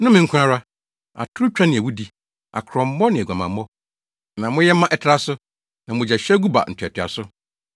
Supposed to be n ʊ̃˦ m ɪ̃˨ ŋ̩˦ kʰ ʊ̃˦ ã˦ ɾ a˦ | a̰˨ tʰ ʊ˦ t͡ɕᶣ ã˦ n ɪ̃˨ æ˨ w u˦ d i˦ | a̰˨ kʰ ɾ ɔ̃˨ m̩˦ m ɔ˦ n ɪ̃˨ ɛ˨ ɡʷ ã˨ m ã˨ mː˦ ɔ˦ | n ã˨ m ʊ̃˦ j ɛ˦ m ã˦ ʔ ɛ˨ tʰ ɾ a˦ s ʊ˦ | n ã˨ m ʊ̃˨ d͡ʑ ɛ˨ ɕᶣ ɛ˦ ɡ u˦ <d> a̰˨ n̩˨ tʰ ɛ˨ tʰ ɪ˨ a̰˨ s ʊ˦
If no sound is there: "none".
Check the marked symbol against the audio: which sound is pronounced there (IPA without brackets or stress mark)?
b